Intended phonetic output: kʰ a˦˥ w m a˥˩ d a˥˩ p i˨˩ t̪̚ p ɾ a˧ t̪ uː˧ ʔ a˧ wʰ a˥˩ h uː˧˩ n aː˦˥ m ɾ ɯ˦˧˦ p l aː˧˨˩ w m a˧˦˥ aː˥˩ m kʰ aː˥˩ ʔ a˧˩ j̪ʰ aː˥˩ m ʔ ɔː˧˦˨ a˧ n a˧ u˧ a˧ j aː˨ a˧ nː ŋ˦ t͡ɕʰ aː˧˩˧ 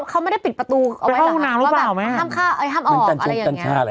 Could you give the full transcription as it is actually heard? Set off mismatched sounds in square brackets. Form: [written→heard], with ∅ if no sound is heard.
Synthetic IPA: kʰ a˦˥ w m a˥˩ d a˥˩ p i˨˩ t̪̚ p ɾ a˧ t̪ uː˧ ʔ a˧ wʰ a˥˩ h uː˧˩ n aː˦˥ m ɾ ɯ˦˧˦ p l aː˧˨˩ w m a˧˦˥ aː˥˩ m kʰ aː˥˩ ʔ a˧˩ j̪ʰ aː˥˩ m ʔ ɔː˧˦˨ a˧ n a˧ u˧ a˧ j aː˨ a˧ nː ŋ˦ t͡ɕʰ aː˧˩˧